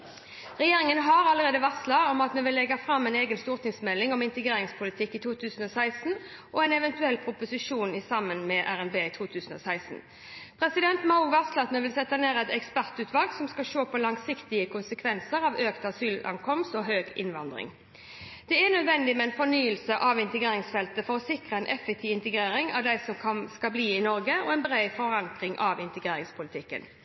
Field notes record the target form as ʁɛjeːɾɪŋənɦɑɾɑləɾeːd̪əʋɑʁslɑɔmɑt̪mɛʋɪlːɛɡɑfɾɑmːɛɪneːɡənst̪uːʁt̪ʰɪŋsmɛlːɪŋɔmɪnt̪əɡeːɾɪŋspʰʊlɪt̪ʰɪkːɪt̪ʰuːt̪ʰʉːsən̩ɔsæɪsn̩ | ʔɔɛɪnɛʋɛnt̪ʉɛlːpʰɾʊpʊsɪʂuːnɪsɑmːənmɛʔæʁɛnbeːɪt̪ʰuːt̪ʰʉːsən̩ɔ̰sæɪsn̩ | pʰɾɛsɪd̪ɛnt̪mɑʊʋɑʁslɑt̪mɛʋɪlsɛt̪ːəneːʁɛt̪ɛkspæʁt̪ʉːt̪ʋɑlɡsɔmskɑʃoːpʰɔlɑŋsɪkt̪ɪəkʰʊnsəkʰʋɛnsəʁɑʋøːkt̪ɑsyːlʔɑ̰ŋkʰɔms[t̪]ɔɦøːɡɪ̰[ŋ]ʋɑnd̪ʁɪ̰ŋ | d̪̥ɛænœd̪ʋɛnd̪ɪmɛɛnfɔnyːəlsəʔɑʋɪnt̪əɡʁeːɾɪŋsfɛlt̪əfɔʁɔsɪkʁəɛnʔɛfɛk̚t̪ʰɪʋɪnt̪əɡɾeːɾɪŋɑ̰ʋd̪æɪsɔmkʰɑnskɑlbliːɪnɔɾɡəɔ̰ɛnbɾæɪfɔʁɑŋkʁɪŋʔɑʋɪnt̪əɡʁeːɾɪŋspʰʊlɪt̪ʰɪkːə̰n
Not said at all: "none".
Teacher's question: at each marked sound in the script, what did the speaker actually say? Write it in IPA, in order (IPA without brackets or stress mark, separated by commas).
t̪, n